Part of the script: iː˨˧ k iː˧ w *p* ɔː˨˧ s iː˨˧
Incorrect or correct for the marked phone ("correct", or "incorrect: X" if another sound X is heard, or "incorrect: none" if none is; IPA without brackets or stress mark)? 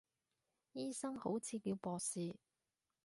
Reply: correct